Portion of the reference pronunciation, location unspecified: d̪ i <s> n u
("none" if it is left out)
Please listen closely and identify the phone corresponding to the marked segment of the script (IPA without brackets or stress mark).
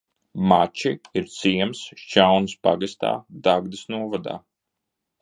s